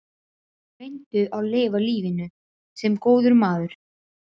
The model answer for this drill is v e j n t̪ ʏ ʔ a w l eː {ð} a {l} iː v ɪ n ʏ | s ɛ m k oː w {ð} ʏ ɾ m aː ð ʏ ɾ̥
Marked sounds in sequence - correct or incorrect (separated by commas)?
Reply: incorrect, correct, correct